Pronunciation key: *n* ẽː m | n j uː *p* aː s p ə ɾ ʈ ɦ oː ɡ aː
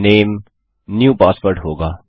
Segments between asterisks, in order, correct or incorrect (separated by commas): correct, correct